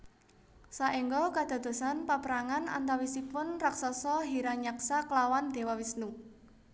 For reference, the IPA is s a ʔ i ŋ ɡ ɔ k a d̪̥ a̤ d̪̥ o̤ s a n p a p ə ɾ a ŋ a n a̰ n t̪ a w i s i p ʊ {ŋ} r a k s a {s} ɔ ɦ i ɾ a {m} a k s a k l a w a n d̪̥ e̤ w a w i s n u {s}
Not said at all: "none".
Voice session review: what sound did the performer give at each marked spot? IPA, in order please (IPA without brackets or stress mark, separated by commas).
n, s, ɲ, none